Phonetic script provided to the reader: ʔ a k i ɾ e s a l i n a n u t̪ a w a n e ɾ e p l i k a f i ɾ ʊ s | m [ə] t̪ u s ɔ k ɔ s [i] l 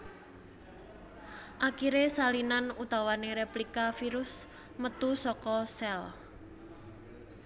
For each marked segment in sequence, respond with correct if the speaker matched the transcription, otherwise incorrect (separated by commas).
correct, incorrect